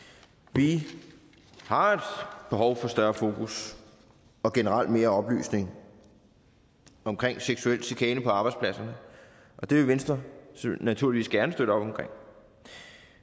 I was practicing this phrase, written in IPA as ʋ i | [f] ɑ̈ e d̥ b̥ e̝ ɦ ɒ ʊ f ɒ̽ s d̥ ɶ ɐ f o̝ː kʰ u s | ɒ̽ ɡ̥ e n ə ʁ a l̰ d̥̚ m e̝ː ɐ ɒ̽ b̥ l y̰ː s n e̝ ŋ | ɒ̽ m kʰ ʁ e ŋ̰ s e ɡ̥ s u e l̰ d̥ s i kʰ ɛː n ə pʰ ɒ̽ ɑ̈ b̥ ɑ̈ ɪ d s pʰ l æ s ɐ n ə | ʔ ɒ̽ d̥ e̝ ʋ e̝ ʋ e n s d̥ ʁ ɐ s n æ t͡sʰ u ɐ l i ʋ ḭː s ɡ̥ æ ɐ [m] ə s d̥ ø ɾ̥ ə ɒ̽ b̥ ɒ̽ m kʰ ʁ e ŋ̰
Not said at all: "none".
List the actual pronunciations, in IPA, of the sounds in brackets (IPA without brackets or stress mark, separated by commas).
h, n